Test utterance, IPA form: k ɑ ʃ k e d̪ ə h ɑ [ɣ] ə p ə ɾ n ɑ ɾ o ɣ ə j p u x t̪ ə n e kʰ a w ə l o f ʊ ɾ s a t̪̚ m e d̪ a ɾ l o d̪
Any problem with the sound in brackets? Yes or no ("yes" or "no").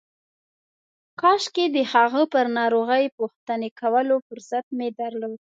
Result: no